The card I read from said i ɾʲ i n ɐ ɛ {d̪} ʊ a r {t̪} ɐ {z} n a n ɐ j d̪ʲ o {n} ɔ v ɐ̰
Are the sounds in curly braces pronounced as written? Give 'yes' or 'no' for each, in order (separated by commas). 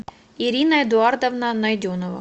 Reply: yes, no, no, yes